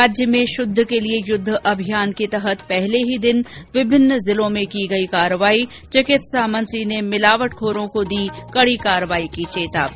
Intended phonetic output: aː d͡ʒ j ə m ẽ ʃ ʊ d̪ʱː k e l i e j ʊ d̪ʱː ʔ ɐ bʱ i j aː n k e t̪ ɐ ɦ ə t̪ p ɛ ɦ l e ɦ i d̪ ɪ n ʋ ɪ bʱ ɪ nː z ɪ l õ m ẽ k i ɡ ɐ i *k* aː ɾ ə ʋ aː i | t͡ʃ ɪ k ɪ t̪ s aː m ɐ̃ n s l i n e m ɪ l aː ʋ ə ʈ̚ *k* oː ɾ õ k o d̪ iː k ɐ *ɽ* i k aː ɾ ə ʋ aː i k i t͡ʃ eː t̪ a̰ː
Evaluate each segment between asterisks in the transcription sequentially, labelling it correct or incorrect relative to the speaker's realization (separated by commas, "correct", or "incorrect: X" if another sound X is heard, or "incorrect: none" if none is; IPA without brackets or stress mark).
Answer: correct, incorrect: kʰ, correct